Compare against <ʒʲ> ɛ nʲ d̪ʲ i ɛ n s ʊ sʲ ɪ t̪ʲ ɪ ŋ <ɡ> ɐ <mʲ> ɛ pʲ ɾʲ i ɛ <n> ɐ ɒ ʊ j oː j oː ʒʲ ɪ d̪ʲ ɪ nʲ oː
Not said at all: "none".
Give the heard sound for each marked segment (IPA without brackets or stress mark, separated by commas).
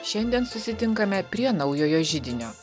ʃʲ, k, mʲ, n